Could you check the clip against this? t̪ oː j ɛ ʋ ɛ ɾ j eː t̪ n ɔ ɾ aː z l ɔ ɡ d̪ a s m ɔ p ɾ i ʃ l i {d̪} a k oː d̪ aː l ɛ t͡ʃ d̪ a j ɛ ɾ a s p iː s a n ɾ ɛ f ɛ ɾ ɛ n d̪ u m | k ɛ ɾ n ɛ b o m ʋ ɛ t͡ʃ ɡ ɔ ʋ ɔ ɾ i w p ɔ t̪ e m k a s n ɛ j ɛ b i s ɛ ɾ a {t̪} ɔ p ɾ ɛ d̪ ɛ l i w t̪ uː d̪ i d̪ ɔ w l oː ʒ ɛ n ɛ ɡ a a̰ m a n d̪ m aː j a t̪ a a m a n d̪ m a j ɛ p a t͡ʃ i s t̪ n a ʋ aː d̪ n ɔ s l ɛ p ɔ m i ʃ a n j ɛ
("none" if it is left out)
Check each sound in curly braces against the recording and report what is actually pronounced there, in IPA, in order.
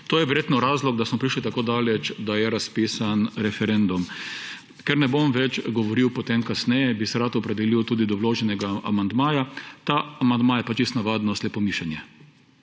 t̪, t̪

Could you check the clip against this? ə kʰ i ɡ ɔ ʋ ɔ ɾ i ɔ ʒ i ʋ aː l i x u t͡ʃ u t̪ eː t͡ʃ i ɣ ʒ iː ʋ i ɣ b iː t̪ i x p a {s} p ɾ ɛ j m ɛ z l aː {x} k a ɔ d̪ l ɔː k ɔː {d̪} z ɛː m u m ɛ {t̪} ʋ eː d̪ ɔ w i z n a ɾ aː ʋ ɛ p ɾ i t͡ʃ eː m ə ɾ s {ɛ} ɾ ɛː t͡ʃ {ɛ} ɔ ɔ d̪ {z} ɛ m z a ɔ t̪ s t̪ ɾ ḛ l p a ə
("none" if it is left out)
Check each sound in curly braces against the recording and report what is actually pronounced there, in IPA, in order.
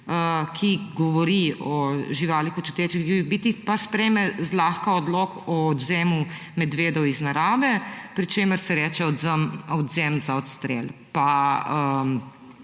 s, x, d̪, d̪, ɛ, ɛ, z

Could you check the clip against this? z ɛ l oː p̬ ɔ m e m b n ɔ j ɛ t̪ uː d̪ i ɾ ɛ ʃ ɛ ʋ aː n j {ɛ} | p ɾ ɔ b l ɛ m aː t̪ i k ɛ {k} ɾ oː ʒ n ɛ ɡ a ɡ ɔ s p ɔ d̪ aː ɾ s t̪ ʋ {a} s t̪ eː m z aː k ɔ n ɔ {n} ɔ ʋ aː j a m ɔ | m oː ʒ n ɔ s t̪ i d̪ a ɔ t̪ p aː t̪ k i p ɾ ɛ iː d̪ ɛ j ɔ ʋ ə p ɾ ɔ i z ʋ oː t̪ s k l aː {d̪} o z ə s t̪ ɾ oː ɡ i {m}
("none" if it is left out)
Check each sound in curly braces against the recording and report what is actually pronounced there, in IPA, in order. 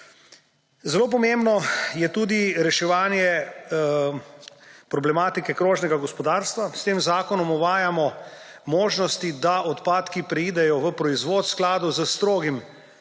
ɛ, k, a, m, d̪, m

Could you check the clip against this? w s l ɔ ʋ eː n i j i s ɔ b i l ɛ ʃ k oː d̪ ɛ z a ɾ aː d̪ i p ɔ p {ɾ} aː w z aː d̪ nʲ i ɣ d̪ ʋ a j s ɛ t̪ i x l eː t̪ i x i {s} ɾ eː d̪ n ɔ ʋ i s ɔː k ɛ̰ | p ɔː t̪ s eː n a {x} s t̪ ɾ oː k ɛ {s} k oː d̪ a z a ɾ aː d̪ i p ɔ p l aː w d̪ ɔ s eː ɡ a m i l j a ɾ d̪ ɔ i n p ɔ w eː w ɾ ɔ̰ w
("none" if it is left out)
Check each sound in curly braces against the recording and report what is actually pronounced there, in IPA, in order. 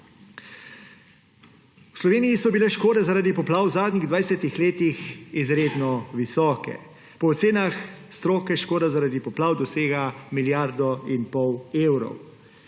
l, z, x, ʃ

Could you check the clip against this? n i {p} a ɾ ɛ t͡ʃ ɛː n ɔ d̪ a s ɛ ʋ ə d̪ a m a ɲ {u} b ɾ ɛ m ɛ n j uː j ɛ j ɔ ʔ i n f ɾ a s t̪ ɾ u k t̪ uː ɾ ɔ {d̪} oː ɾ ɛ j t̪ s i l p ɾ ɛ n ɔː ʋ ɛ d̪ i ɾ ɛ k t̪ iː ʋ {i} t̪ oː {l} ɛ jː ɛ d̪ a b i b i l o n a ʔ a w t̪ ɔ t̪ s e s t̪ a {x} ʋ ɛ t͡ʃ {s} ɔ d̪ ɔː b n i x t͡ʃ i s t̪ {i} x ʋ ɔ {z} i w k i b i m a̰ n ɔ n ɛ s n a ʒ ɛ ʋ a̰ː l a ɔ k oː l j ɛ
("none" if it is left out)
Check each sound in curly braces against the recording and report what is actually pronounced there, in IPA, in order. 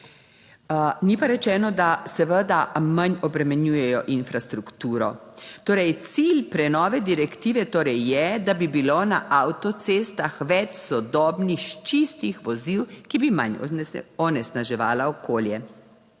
p, ɔ, t̪, ɛ, ɾ, x, s, i, z

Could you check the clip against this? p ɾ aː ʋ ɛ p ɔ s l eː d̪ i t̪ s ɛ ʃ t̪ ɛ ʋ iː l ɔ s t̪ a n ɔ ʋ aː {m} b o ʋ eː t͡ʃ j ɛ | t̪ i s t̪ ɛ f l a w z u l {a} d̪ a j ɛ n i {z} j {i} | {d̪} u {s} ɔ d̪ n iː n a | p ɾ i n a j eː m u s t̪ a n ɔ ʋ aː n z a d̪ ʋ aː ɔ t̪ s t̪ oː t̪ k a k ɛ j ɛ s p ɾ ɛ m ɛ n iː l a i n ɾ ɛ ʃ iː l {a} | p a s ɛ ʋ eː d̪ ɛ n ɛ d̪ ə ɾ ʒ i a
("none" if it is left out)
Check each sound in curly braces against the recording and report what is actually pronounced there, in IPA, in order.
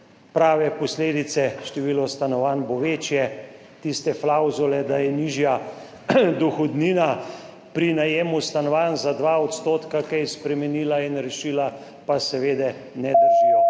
n, ɛ, ʒ, a, d̪, x, a

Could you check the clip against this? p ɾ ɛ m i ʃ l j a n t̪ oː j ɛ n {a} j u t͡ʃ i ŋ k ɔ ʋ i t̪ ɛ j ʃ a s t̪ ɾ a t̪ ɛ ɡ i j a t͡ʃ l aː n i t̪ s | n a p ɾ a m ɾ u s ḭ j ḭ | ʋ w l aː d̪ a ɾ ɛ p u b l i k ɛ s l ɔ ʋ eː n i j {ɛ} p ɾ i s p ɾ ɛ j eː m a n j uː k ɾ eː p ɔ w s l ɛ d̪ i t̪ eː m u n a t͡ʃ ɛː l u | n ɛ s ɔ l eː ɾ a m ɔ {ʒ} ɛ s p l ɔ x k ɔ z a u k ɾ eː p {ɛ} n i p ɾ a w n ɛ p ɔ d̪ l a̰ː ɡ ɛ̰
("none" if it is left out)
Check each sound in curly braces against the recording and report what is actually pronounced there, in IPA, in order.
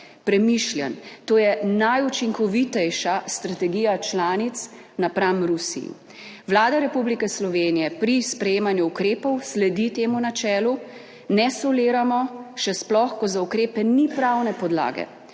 a, ɛ, ʃ, ɛ

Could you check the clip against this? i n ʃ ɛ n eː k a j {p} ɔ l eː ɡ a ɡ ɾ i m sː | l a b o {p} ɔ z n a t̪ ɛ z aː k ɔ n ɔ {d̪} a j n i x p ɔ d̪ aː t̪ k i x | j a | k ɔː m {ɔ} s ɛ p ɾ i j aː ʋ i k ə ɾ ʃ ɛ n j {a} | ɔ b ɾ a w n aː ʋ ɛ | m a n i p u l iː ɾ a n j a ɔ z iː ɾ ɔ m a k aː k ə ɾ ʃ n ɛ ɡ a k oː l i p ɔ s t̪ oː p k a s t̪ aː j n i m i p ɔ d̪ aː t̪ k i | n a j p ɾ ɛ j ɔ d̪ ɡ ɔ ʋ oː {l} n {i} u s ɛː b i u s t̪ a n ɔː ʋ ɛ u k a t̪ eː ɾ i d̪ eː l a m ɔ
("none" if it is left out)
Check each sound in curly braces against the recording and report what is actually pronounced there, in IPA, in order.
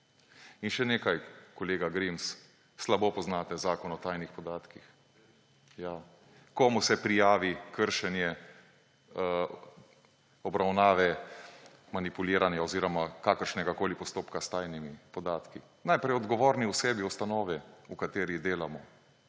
k, p, t̪, u, ɛ, ɾ, i

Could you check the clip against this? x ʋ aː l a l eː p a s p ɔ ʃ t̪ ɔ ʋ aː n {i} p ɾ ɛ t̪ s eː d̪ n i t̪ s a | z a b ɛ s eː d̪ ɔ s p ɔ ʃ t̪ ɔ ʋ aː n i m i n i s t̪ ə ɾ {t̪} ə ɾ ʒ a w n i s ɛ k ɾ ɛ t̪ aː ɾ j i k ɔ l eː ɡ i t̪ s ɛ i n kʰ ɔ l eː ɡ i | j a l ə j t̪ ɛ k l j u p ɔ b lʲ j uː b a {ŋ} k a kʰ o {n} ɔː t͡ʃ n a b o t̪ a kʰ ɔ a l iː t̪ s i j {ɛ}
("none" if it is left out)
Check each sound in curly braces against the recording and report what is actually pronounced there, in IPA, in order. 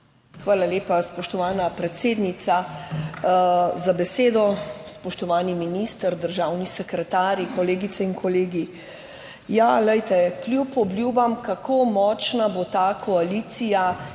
a, d̪, m, m, a

